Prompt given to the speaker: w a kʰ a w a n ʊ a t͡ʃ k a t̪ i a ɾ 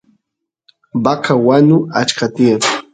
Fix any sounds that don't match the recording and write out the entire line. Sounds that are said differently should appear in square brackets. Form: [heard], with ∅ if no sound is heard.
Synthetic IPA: [b] a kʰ a w a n ʊ a t͡ʃ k a t̪ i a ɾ